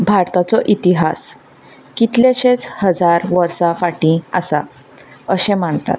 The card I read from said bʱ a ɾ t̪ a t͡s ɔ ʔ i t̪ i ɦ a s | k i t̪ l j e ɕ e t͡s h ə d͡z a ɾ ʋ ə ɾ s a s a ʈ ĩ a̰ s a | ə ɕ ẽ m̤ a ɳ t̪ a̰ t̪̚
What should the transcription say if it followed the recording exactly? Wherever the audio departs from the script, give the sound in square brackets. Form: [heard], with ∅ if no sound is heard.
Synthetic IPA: bʱ a ɾ t̪ a t͡s ɔ ʔ i t̪ i ɦ a s | k i t̪ l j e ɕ e t͡s h ə d͡z a ɾ ʋ ə ɾ s a [f] a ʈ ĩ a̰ s a | ə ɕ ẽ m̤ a ɳ t̪ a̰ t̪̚